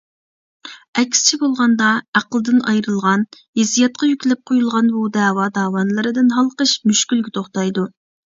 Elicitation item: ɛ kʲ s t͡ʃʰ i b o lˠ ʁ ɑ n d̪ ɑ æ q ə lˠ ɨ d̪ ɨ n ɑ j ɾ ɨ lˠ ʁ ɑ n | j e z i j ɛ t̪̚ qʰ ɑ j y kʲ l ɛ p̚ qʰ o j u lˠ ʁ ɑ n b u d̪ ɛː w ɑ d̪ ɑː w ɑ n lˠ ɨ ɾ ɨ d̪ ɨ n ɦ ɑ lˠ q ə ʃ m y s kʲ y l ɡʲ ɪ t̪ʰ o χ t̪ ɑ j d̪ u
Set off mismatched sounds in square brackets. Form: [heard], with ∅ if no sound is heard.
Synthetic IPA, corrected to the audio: ɛ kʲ s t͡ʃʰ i b o lˠ ʁ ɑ n d̪ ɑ æ q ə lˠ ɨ d̪ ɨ n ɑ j ɾ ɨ lˠ ʁ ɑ n | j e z i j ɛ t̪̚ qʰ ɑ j y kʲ l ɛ p̚ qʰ o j u lˠ ʁ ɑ n b u d̪ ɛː w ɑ d̪ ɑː w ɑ n lˠ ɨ ɾ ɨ d̪ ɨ n ɦ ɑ lˠ q ə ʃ m y [ʃ] kʲ y l ɡʲ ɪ t̪ʰ o χ t̪ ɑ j d̪ u